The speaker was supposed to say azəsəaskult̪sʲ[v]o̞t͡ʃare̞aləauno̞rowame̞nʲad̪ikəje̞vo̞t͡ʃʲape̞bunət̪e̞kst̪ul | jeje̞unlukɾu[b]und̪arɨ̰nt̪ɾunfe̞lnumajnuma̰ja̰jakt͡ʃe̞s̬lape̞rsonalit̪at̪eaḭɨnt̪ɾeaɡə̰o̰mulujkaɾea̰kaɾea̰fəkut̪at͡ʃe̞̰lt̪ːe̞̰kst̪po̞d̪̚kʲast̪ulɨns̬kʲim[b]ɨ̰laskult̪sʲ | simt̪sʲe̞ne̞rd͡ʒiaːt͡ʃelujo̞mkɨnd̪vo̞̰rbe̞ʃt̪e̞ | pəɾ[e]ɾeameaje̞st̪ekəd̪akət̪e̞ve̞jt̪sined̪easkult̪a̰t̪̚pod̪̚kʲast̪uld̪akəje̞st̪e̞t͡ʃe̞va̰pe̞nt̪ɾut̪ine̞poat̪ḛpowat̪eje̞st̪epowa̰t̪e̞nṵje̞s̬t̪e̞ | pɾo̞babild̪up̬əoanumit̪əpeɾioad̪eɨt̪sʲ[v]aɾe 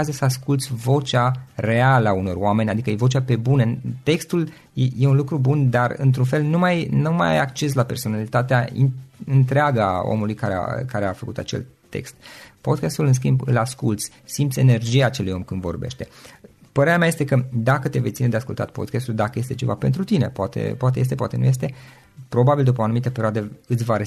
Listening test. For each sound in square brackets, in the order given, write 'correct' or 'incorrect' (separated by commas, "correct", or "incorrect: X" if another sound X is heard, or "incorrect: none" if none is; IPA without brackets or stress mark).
correct, correct, correct, correct, correct